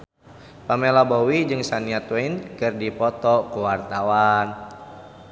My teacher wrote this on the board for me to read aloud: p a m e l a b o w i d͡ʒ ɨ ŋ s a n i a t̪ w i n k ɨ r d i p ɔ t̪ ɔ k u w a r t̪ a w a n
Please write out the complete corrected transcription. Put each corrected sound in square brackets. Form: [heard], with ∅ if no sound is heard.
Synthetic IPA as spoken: p a m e l a b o w i d͡ʒ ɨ ŋ s a n i a t̪ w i n k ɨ r d i p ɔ t̪ ɔ k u w a r t̪ a w a n